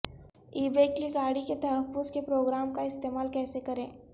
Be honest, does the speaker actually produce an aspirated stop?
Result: no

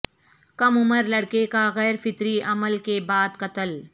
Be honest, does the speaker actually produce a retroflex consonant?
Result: yes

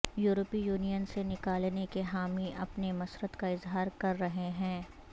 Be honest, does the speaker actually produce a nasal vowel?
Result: yes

